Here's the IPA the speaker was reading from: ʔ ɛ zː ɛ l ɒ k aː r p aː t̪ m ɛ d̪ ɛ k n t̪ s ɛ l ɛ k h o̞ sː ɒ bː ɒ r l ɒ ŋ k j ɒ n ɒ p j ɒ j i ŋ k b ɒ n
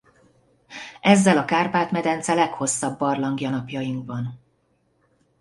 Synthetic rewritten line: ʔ ɛ zː ɛ l ɒ k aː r p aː t̪ m ɛ d̪ ɛ n t̪ s ɛ l ɛ k h o̞ sː ɒ bː ɒ r l ɒ ŋ ɡ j ɒ n ɒ p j ɒ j i ŋ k b ɒ n